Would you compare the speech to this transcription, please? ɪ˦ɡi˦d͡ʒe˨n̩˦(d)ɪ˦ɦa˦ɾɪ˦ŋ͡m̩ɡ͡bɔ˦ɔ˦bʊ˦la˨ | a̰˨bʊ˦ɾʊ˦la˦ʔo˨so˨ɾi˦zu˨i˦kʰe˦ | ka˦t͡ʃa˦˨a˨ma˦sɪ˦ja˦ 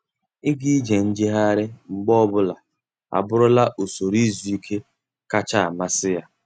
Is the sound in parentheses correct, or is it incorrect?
incorrect